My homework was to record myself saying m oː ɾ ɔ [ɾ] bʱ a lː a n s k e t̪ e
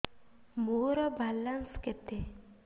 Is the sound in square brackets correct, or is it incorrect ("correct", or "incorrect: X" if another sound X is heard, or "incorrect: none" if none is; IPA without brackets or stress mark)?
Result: incorrect: none